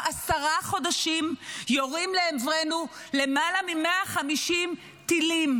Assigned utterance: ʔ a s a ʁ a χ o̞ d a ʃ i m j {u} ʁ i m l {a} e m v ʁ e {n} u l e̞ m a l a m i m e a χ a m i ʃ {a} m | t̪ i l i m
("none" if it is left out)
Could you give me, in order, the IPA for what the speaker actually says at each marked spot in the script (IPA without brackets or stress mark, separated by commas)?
o, e, n, i